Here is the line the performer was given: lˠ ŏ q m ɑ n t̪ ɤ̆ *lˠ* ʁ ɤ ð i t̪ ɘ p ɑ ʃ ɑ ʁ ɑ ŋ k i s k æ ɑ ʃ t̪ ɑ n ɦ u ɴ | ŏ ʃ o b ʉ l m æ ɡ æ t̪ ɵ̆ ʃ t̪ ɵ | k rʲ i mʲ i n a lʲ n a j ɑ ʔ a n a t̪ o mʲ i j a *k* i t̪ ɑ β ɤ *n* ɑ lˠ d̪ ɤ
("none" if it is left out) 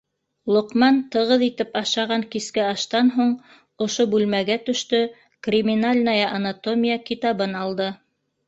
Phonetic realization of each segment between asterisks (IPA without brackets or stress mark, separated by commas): none, k, n